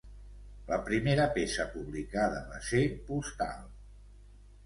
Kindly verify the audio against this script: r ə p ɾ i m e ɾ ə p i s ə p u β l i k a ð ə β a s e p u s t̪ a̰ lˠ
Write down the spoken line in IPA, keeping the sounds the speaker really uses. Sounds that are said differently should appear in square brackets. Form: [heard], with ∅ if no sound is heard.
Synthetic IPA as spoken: [l] ə p ɾ i m e ɾ ə p [e] s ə p u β l i k a ð ə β a s e p u s t̪ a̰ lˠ